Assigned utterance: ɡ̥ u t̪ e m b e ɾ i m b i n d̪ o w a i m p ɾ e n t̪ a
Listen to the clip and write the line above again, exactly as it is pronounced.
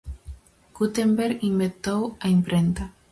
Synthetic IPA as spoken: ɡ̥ u t̪ e m b e ɾ i m b e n t̪ o w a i m p ɾ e n t̪ a